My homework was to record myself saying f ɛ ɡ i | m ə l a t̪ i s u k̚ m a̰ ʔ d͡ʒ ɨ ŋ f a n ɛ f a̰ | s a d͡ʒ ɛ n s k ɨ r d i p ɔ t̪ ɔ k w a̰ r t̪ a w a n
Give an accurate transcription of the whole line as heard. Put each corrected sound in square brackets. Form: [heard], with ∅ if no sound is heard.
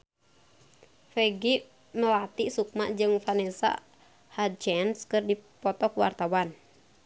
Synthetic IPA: f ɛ ɡ i | m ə l a t̪ i s u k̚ m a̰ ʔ d͡ʒ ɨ ŋ f a n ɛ [s] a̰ | [h] a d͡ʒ ɛ n s k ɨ r d i p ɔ t̪ ɔ k w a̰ r t̪ a w a n